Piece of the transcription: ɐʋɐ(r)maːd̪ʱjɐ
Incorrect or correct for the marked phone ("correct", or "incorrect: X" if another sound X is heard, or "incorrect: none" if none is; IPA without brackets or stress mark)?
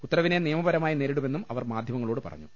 correct